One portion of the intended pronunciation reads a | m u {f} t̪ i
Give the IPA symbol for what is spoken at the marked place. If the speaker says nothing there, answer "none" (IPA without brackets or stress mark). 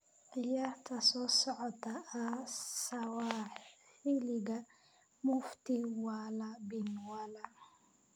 f